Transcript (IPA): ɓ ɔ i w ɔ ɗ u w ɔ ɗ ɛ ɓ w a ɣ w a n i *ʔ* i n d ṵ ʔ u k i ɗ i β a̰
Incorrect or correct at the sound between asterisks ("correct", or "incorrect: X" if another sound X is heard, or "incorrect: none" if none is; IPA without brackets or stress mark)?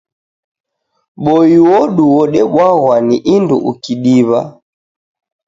correct